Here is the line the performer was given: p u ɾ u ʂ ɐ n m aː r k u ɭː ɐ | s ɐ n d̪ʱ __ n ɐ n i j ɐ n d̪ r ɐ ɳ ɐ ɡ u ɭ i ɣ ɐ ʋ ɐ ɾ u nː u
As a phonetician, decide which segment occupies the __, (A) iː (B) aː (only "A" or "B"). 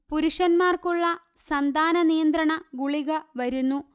B